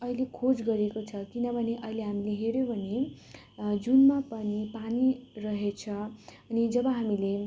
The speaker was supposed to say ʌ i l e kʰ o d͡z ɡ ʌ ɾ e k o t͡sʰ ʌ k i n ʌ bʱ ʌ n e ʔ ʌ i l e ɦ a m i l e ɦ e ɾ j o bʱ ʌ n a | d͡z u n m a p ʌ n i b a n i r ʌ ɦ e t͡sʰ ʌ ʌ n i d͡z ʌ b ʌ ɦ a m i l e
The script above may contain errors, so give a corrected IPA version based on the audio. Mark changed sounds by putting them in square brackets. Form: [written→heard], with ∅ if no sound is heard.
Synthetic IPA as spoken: ʌ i l e kʰ o d͡z ɡ ʌ ɾ e k o t͡sʰ ʌ k i n ʌ bʱ ʌ n e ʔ ʌ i l e ɦ a m i l e ɦ e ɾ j o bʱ ʌ n [a→e] | d͡z u n m a p ʌ n i [b→p] a n i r ʌ ɦ e t͡sʰ ʌ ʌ n i d͡z ʌ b ʌ ɦ a m i l e